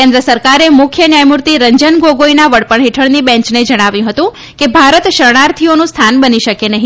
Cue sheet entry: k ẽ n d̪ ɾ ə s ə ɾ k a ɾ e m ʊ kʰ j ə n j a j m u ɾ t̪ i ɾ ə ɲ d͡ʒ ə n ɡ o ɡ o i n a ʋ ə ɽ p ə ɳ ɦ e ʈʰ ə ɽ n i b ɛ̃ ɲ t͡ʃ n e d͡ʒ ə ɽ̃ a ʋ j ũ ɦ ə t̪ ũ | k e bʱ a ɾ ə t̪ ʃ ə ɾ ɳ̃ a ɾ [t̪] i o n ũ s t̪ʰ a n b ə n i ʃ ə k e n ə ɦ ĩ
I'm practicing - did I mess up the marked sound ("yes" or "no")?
yes